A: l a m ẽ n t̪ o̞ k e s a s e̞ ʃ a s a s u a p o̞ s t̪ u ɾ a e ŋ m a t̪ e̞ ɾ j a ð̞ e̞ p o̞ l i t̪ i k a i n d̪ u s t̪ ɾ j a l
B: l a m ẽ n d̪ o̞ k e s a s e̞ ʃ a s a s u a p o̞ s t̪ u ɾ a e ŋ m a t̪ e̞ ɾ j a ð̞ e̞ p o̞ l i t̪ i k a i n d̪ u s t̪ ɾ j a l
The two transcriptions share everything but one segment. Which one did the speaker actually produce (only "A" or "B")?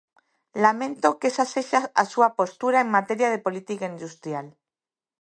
A